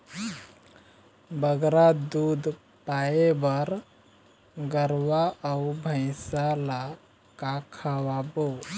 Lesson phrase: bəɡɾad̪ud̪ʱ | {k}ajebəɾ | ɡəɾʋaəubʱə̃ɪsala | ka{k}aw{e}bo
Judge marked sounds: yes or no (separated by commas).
no, no, no